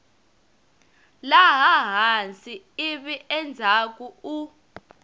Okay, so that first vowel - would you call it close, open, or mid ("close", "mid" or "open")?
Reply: open